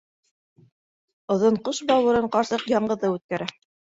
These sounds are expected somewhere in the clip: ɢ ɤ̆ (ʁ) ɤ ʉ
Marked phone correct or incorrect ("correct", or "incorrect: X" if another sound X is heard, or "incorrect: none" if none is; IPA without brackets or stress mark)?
incorrect: ð